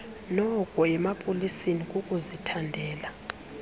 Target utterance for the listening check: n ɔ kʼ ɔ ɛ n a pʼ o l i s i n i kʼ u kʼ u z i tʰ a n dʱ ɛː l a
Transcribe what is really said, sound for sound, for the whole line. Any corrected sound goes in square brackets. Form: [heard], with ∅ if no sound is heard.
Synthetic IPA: n ɔ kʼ ɔ ɛ [m] a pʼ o l i s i n i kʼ u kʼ u z i tʰ a n dʱ ɛː l a